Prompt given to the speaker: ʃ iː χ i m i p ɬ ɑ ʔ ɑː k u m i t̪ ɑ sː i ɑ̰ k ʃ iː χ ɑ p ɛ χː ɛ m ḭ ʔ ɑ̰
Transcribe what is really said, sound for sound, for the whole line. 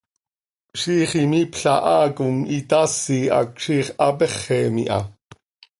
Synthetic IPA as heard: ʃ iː χ i m i p ɬ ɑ ʔ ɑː k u m i t̪ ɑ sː i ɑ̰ k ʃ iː χ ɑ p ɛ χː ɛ m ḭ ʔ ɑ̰